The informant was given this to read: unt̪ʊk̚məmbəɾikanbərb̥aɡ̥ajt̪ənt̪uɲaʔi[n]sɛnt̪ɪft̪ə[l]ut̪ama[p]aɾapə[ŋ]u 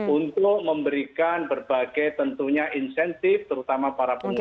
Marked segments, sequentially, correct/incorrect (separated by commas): correct, incorrect, correct, correct